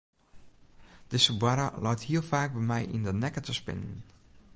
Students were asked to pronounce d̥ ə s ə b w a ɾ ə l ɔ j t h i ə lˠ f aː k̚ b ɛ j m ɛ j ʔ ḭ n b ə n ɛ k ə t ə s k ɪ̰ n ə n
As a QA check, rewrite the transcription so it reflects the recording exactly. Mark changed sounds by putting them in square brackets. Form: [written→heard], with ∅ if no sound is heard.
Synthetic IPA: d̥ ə s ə b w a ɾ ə l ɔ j t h i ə lˠ f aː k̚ b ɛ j m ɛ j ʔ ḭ n [b→d] ə n ɛ k ə t ə s [k→p] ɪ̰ n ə n